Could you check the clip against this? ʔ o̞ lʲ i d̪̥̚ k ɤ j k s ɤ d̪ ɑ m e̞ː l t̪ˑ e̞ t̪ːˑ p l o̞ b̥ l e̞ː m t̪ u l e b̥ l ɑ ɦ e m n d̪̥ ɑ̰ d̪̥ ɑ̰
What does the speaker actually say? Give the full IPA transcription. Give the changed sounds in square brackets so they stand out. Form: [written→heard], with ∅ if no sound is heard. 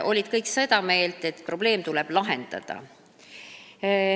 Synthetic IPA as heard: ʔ o̞ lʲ i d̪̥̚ k ɤ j k s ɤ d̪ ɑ m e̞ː l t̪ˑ e̞ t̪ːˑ p [l→r] o̞ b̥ l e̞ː m t̪ u l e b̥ l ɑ ɦ e [m→∅] n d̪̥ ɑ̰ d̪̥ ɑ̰